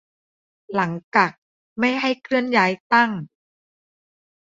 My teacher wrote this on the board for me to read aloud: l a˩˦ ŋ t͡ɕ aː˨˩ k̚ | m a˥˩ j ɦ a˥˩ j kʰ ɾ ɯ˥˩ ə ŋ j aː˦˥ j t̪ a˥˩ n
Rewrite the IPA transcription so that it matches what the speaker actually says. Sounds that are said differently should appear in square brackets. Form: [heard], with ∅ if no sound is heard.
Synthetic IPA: l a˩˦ ŋ t͡ɕ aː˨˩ k̚ | m a˥˩ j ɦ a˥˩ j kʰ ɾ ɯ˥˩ ə [n] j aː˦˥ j t̪ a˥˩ [ŋ]